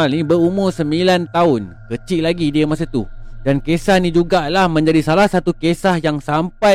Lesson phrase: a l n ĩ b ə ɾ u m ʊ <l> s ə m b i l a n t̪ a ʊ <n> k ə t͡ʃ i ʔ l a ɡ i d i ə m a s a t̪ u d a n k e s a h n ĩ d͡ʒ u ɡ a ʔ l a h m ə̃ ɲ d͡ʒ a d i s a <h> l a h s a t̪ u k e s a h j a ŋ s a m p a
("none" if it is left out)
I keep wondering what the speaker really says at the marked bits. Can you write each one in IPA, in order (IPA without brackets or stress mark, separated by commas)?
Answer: r, n, none